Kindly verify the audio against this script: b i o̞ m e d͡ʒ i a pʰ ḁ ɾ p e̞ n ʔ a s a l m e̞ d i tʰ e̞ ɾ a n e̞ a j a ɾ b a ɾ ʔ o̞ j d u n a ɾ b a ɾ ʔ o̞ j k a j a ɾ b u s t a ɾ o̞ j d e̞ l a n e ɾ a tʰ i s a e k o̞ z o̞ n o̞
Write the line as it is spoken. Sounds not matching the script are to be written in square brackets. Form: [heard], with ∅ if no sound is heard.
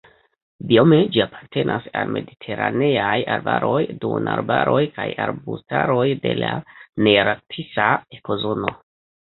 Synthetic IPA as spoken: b i o̞ m e d͡ʒ i a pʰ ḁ ɾ [t] e̞ n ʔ a s a l m e̞ d i tʰ e̞ ɾ a n e̞ a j a ɾ b a ɾ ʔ o̞ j d u n a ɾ b a ɾ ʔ o̞ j k a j a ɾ b u s t a ɾ o̞ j d e̞ l a n e ɾ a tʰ i s a e k o̞ z o̞ n o̞